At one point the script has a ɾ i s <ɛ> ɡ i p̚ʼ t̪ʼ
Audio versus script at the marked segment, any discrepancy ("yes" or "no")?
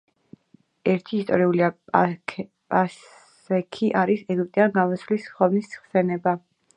no